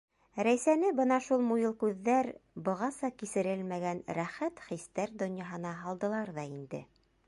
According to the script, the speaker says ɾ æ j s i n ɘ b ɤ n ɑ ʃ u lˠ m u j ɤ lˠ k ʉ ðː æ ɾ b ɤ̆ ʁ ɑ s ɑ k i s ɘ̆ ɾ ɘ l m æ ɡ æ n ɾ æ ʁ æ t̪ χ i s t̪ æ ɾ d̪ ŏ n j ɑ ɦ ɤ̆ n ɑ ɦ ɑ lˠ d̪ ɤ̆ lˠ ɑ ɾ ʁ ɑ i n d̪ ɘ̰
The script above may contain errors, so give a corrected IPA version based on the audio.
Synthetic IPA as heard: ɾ æ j s æ n ɘ b ɤ n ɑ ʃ u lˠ m u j ɤ lˠ k ʉ ðː æ ɾ b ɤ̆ ʁ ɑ s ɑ k i s ɘ̆ ɾ ɘ l m æ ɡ æ n ɾ æ χ æ t̪ χ i s t̪ æ ɾ d̪ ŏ n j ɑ ɦ ɤ̆ n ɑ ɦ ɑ lˠ d̪ ɤ̆ lˠ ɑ ɾ ð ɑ i n d̪ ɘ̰